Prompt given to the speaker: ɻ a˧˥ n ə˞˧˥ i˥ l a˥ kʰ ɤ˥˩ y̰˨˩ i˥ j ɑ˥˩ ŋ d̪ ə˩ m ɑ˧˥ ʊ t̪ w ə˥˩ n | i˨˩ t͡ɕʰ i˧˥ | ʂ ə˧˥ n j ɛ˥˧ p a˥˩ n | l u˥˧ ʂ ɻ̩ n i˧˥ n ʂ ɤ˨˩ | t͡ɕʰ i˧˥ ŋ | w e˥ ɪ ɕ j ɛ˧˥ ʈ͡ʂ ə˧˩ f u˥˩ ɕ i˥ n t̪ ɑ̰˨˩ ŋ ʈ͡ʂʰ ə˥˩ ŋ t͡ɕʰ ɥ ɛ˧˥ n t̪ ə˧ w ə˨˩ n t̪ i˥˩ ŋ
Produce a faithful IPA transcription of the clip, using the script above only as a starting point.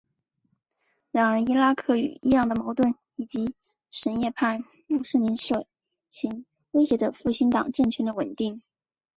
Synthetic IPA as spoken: ɻ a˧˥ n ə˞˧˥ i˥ l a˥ kʰ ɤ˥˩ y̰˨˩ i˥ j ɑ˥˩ ŋ d̪ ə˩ m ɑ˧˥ ʊ t̪ w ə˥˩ n | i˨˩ t͡ɕ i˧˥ | ʂ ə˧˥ n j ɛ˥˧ pʰ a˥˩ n | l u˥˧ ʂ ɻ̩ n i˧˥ n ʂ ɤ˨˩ | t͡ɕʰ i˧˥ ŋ | w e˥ ɪ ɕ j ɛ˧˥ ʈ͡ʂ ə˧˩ f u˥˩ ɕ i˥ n t̪ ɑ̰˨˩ ŋ ʈ͡ʂ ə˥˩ ŋ t͡ɕʰ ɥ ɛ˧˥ n d̪ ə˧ w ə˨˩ n t̪ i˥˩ ŋ